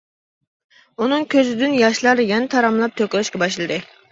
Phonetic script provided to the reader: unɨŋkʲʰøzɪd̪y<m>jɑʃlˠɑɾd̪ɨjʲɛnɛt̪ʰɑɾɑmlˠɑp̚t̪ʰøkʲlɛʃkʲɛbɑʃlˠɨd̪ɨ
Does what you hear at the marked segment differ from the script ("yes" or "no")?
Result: yes